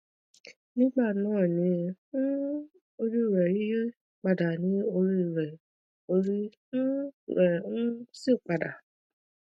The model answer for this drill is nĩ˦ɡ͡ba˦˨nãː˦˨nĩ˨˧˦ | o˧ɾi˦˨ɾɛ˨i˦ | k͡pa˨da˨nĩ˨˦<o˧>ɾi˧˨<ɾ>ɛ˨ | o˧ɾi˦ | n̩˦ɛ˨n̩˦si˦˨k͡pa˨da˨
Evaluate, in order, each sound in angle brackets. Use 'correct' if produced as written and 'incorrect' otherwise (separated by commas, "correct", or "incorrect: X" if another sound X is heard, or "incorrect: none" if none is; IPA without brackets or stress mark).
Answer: correct, correct